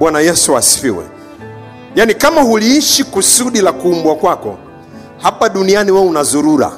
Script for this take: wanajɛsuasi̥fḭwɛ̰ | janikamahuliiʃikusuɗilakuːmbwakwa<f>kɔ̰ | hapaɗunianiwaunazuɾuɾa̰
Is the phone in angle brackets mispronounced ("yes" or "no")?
yes